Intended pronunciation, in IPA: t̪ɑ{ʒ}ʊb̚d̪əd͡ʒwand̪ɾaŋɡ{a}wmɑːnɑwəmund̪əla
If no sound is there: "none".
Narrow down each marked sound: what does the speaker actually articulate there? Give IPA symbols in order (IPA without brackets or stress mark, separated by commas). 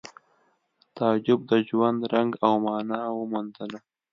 d͡ʒ, a